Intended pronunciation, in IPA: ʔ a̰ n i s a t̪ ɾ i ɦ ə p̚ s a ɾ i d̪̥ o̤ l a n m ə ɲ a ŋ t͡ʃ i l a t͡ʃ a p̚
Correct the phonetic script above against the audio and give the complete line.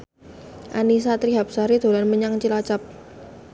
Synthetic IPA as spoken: ʔ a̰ n i s a t̪ ɾ i ɦ a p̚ s a ɾ i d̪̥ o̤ l a n m ə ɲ a ŋ t͡ʃ i l a t͡ʃ a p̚